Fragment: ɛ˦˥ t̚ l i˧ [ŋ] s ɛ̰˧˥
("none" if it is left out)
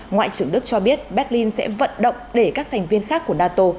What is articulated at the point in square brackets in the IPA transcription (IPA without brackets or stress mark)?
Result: n